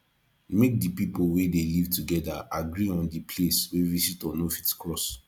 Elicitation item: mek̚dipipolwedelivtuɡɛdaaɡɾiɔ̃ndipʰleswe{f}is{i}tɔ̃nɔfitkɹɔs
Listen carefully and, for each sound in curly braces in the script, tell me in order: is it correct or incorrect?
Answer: incorrect: v, correct

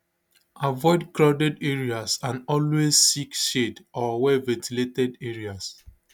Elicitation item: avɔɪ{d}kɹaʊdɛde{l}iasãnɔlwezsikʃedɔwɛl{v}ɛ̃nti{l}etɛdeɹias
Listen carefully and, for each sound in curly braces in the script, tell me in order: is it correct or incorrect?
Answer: correct, incorrect: ɹ, correct, correct

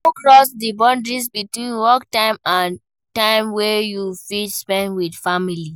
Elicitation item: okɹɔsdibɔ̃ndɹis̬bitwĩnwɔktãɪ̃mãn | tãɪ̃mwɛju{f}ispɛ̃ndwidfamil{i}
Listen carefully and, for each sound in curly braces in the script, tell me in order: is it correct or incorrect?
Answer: correct, correct

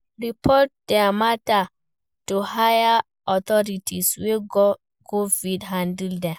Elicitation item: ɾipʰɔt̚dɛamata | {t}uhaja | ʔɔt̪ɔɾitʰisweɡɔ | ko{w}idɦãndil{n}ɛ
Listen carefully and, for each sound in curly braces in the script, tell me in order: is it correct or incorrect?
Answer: correct, incorrect: v, incorrect: d

